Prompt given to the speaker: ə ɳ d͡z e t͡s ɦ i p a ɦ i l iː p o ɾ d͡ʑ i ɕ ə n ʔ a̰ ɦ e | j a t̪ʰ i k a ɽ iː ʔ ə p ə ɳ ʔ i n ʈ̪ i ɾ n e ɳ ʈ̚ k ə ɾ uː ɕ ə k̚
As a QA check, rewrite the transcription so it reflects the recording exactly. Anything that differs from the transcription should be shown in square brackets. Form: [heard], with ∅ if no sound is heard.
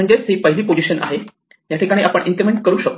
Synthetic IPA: ə ɳ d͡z e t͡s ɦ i p [ə] ɦ i l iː p o [∅] d͡ʑ i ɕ ə n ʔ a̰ ɦ e | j a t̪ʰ i k a ɽ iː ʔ [a] p ə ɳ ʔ i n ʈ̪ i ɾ [m] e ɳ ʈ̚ k ə ɾ uː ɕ ə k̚